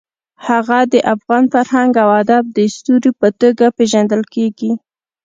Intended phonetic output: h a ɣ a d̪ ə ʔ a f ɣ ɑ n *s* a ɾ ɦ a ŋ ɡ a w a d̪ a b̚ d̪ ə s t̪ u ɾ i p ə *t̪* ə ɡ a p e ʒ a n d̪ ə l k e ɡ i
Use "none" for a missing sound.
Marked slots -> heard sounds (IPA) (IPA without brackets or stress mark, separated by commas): f, t̪